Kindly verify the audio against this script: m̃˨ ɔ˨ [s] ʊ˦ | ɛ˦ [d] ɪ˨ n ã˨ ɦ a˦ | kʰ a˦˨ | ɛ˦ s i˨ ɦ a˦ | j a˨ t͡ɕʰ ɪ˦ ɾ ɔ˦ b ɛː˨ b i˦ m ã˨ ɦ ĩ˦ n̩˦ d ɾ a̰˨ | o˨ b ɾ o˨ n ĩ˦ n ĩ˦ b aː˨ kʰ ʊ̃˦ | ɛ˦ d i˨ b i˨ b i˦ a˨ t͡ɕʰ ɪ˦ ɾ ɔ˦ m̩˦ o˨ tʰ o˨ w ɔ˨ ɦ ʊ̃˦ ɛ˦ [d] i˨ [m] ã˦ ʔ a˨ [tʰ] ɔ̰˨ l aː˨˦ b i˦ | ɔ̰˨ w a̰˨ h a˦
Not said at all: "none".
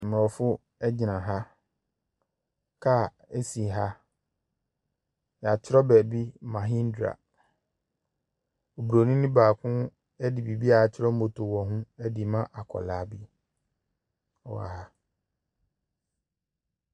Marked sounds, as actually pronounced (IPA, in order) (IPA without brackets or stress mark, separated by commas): f, d͡ʑ, d, m, kʰ